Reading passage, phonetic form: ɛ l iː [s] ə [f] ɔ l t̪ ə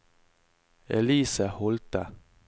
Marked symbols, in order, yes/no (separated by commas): yes, no